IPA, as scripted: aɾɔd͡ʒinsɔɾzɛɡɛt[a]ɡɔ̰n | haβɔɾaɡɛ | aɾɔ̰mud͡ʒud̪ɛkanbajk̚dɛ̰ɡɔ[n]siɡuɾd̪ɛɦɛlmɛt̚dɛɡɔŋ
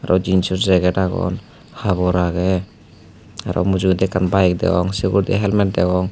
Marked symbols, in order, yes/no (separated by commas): yes, no